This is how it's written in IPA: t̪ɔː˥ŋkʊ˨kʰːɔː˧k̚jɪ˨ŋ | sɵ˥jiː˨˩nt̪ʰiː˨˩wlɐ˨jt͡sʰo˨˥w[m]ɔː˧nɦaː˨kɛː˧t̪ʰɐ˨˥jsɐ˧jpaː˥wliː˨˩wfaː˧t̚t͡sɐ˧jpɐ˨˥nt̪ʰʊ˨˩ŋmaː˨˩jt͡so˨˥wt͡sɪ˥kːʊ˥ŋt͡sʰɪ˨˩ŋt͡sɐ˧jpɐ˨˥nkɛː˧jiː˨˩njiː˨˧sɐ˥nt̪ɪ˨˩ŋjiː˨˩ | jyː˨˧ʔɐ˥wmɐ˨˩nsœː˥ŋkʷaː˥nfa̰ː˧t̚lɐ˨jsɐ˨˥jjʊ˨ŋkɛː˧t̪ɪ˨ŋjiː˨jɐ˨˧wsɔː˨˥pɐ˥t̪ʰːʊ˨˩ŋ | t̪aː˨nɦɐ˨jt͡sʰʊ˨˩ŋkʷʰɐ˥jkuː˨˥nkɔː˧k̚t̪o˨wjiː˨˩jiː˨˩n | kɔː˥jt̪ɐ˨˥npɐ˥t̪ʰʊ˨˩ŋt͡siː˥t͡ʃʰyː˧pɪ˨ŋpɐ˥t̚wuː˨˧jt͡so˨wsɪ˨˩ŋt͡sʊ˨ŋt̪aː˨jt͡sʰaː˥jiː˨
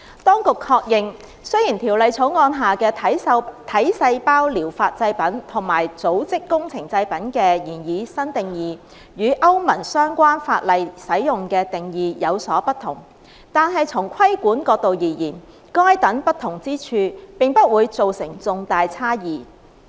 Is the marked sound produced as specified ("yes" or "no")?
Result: no